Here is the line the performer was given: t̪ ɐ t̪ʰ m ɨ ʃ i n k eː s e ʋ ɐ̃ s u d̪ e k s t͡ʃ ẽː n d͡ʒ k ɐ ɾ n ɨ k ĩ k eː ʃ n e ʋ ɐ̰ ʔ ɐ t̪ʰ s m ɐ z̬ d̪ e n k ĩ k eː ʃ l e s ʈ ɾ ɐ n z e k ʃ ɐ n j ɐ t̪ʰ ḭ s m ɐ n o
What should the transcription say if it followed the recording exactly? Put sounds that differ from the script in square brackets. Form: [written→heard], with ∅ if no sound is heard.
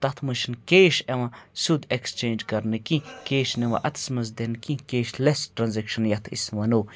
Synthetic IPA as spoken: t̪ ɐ t̪ʰ m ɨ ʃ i n k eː [s→ʃ] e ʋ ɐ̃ s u d̪ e k s t͡ʃ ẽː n d͡ʒ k ɐ ɾ n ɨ k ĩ k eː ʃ n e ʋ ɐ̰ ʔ ɐ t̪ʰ s m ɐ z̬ d̪ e n k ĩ k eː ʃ l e s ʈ ɾ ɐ n z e k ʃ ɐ n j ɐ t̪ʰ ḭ s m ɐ n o

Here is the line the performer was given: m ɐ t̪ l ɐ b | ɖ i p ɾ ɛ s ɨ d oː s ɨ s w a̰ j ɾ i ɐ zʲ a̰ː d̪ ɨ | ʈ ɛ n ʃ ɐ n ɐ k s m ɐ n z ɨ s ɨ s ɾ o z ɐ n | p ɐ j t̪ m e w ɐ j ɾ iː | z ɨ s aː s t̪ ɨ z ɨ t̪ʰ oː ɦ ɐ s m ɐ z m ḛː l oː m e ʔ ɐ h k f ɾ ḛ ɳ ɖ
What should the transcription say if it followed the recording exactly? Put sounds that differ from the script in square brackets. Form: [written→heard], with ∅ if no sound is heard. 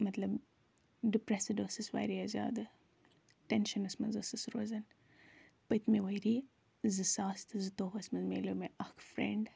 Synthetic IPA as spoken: m ɐ t̪ l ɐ b | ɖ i p ɾ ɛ s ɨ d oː s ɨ s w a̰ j ɾ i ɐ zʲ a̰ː d̪ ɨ | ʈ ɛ n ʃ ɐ n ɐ [k→∅] s m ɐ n z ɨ s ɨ s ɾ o z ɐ n | p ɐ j t̪ m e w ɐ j ɾ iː | z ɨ s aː s t̪ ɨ z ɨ [t̪ʰ→t̪] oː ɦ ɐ s m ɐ z m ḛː l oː m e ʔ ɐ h k f ɾ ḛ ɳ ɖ

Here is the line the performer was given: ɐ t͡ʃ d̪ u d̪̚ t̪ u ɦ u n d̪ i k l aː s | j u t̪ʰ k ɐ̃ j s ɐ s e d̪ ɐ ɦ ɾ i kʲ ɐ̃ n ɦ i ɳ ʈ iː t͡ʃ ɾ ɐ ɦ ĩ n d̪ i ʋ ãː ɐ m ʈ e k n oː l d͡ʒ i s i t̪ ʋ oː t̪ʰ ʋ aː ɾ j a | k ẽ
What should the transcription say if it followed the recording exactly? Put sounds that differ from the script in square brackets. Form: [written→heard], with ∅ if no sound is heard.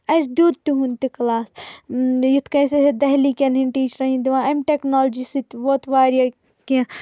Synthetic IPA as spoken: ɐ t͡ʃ d̪ u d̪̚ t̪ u ɦ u n [d̪→t̪] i k l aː s | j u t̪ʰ k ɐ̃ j s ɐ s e d̪ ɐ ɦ [ɾ→l] i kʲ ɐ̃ n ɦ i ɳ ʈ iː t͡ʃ ɾ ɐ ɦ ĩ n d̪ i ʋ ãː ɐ m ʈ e k n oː l d͡ʒ i s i t̪ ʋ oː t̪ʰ ʋ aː ɾ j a | k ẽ

